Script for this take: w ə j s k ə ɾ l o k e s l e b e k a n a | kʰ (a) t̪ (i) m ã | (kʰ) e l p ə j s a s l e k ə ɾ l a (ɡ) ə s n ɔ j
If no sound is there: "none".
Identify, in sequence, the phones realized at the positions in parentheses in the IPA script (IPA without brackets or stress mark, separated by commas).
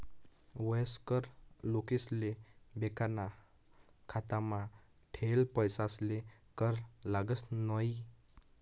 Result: a, a, ʈʰ, ɡ